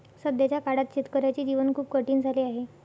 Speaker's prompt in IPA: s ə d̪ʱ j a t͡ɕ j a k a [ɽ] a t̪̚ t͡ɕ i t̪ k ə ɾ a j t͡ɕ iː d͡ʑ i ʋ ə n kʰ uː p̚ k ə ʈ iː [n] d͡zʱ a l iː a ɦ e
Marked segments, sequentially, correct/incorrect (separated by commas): correct, correct